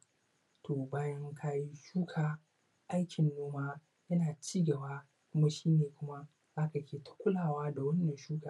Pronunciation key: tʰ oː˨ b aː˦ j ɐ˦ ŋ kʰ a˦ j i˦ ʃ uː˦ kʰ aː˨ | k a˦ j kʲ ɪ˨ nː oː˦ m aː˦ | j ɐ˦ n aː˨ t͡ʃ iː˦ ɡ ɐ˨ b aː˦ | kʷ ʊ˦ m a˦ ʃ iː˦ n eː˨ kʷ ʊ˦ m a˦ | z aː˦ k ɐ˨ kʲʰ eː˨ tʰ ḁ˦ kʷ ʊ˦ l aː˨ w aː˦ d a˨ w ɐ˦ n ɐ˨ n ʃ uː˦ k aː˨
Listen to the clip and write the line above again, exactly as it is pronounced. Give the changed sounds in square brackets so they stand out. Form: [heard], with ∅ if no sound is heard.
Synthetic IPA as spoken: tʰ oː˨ b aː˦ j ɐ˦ ŋ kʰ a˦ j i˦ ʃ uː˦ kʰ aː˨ | [ʔ] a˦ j kʲ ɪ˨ nː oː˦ m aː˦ | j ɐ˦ n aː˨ t͡ʃ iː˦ ɡ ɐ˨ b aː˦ | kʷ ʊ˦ m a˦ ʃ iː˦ n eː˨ kʷ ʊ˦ m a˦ | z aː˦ k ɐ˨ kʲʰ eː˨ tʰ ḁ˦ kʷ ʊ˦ l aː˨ w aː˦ d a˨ w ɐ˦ [nː] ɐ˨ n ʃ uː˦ k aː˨